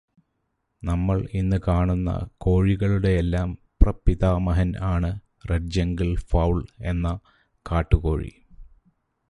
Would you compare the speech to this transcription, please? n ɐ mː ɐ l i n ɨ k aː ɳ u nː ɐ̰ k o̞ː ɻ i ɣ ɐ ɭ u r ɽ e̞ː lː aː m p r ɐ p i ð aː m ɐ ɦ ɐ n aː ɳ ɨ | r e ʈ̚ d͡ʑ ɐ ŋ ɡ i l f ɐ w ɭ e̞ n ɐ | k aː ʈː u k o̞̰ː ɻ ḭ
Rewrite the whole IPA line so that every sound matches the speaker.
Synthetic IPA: n ɐ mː ɐ ɭ i nː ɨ k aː ɳ u nː ɐ̰ k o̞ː ɻ i ɣ ɐ ɭ u ɽ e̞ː lː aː m p r ɐ p i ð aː m ɐ ɦ ɐ n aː ɳ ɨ | r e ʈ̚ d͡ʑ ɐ ŋ ɡ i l f ɐ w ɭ e̞ nː ɐ | k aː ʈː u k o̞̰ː ɻ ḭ